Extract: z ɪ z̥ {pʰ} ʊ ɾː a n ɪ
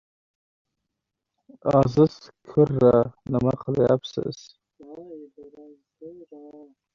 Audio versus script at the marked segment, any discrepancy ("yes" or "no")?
yes